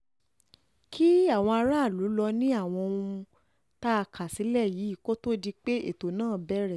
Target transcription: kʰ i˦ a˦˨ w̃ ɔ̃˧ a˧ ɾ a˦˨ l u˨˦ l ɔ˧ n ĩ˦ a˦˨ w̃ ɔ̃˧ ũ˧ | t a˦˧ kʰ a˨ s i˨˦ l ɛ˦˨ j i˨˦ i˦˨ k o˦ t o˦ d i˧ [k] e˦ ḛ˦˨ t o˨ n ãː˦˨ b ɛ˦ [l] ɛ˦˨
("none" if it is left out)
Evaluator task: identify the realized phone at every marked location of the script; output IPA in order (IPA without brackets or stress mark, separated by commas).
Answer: k͡p, ɾ